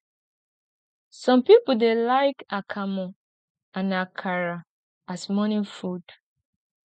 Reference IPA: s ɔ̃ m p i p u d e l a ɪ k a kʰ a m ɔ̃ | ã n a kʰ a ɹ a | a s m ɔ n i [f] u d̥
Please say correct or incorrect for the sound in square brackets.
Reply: correct